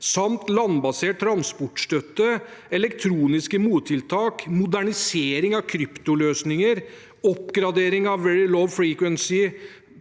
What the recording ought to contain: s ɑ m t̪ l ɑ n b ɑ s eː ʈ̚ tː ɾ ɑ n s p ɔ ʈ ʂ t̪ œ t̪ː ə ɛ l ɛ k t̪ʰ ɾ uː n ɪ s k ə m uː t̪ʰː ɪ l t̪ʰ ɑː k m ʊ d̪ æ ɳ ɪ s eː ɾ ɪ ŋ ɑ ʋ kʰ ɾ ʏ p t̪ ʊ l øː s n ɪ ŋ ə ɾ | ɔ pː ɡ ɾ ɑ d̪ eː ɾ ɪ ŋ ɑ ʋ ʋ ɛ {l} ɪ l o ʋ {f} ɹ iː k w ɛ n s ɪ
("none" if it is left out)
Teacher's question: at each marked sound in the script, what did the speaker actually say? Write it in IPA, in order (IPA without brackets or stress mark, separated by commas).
ɹ, f